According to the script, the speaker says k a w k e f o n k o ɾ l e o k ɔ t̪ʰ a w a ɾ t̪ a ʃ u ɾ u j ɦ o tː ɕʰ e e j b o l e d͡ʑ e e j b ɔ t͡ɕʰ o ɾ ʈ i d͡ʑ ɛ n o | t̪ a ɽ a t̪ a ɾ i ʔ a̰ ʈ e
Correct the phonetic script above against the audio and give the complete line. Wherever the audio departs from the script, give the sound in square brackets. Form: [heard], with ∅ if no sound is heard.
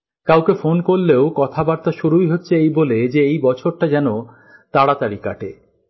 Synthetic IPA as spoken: k a w k e f o n k o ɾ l e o k ɔ t̪ʰ a [b] a ɾ t̪ a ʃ u ɾ u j ɦ o tː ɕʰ e e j b o l e d͡ʑ e e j b ɔ t͡ɕʰ o ɾ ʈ [a] d͡ʑ ɛ n o | t̪ a ɽ a t̪ a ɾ i [k] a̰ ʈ e